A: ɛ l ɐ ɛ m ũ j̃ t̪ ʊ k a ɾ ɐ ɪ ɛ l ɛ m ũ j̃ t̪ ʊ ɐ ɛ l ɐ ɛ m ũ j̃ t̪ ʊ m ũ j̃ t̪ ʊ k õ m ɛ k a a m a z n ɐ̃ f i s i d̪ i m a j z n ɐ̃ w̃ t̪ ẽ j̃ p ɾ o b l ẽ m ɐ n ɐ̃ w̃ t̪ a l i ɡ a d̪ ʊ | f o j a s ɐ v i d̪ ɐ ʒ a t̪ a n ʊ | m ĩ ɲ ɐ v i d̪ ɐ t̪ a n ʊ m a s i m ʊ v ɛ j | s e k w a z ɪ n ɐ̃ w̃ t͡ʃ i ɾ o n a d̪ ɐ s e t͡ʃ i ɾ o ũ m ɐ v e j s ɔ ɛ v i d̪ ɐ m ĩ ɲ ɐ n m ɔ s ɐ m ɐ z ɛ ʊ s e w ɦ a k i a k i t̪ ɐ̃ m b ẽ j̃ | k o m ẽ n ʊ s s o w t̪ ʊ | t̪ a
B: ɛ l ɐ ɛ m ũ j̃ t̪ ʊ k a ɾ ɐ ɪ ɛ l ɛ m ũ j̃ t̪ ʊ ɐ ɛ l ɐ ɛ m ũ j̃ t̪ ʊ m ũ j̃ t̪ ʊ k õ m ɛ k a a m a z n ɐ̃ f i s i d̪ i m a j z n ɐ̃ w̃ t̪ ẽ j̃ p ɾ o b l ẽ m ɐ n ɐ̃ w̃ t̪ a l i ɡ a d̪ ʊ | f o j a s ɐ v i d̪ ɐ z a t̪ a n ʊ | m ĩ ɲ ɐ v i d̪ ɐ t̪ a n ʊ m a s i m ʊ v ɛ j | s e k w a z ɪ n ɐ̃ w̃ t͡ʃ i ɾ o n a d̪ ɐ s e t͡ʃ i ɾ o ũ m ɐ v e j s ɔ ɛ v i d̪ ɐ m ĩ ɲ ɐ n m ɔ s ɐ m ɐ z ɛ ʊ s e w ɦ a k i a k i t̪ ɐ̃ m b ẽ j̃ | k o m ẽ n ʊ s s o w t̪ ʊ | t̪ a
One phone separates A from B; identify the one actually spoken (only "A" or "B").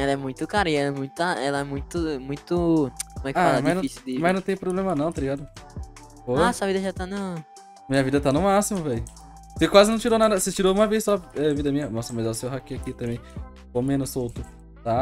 A